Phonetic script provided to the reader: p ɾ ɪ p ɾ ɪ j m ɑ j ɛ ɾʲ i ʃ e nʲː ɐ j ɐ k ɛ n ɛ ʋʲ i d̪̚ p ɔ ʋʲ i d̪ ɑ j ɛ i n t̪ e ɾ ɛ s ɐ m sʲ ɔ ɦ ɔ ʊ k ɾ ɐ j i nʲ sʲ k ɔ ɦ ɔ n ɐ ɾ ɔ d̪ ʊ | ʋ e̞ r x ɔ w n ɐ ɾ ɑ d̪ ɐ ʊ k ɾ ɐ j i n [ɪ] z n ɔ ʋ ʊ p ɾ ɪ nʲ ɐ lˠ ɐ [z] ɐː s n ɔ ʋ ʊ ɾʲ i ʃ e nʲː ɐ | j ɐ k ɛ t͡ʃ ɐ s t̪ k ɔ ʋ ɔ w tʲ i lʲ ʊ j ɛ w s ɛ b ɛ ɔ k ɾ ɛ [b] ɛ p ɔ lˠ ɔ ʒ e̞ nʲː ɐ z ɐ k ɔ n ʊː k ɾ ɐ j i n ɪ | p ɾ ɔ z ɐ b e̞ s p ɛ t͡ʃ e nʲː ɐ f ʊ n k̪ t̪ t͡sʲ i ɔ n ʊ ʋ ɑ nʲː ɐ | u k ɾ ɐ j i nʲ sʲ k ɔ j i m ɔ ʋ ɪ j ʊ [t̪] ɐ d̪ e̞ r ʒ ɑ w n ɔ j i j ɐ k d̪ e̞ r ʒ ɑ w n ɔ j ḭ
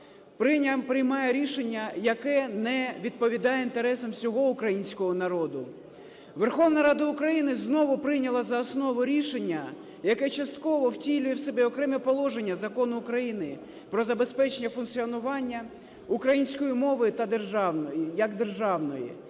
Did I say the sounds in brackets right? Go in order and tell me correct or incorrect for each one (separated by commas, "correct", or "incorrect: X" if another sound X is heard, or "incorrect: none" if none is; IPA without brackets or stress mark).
correct, correct, incorrect: m, correct